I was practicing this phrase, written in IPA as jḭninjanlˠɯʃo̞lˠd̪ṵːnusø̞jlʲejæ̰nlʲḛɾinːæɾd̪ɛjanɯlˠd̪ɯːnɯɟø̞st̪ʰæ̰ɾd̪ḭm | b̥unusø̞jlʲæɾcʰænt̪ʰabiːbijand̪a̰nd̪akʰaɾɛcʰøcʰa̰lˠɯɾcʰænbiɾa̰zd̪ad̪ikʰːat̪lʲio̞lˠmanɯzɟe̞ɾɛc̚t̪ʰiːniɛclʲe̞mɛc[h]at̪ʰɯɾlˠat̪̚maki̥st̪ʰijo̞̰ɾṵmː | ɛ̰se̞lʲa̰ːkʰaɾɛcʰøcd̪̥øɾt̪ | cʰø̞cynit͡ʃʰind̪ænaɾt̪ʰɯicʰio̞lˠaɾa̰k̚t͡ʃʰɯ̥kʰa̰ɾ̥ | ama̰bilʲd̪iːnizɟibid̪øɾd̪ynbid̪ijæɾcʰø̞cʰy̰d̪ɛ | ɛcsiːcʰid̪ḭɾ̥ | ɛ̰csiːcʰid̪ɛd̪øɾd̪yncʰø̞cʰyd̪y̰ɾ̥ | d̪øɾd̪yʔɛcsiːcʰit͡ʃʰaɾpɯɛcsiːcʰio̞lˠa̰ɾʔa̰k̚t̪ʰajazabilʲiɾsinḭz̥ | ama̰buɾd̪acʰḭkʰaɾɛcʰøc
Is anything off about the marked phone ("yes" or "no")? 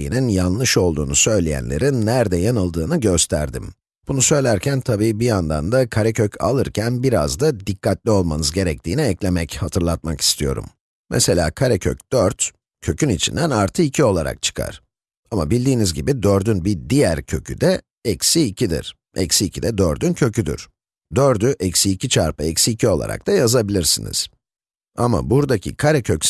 no